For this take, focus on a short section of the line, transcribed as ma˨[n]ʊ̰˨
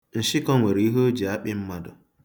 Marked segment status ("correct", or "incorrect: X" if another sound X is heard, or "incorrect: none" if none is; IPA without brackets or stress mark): incorrect: d